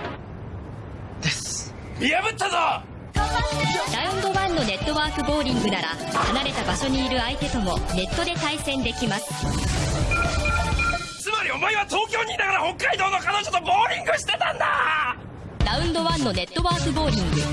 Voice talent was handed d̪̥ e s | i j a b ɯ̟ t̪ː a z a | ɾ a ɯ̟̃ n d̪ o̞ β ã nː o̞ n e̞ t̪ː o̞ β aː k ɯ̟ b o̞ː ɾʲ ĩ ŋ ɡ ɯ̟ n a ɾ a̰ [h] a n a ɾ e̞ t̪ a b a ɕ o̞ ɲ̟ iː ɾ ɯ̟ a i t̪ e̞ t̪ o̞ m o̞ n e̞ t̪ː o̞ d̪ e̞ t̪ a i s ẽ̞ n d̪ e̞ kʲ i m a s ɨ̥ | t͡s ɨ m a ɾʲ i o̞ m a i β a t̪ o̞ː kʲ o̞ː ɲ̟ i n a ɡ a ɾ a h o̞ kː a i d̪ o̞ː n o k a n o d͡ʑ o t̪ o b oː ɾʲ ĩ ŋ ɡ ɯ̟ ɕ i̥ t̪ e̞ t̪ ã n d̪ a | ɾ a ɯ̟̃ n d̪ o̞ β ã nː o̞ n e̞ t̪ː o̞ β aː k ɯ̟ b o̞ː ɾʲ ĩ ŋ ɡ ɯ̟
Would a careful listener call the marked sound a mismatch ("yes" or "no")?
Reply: no